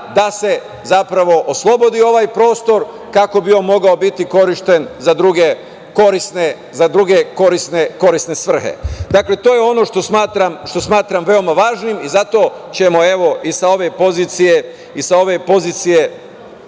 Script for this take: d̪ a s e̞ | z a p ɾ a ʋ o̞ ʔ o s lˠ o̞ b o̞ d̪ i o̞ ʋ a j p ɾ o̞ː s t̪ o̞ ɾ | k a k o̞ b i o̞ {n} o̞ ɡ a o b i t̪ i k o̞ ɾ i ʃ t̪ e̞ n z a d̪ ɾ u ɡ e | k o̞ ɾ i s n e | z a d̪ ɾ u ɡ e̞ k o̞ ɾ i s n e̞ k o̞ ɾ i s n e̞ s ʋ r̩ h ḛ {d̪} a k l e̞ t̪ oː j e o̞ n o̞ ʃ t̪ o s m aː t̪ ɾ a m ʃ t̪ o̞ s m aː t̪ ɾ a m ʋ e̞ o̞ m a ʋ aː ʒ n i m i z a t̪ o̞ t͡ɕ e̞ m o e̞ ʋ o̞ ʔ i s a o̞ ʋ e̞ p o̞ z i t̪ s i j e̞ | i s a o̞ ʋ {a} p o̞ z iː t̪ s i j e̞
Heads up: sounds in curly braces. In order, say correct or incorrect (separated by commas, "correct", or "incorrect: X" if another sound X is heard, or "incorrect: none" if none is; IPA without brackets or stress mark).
incorrect: m, correct, incorrect: e